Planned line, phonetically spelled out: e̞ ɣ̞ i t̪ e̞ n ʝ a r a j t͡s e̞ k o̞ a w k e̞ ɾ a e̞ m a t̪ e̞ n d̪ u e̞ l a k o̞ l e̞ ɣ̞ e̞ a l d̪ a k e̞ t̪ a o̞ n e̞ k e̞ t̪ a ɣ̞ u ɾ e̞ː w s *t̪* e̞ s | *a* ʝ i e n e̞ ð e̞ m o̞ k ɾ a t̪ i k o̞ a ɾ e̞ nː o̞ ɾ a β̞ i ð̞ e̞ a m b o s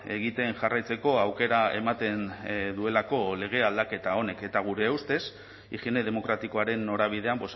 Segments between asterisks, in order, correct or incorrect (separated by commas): correct, incorrect